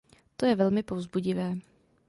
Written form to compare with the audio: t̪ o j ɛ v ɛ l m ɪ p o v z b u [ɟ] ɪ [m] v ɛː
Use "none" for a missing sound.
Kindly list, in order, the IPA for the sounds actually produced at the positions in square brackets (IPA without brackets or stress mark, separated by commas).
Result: ɟ, none